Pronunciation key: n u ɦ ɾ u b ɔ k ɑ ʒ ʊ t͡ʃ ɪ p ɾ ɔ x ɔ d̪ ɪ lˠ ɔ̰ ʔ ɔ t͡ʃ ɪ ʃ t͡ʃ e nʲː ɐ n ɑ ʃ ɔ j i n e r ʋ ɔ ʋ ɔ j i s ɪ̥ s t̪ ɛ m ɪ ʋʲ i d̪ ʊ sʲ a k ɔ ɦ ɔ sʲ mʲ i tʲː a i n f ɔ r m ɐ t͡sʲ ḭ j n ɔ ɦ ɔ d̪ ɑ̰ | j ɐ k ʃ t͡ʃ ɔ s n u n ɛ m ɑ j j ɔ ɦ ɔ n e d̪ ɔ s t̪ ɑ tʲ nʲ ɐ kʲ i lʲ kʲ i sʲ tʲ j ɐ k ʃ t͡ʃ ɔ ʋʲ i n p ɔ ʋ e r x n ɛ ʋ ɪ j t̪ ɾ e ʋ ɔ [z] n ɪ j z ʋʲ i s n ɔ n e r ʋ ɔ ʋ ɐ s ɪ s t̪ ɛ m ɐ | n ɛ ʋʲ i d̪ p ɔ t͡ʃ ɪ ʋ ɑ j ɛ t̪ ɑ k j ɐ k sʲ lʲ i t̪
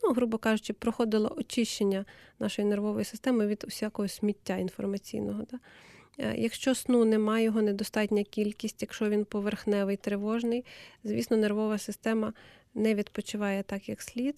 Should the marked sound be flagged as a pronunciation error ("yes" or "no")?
yes